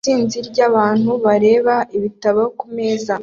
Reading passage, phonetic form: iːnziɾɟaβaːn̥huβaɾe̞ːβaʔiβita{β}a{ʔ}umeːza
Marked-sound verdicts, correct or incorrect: correct, incorrect: k

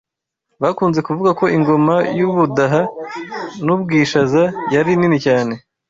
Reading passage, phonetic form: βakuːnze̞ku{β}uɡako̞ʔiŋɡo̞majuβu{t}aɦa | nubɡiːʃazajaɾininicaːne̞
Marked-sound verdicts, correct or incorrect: incorrect: v, incorrect: d

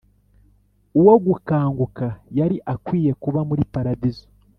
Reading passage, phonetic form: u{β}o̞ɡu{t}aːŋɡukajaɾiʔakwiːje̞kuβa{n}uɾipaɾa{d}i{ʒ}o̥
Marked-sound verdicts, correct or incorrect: incorrect: w, incorrect: k, incorrect: m, correct, incorrect: z

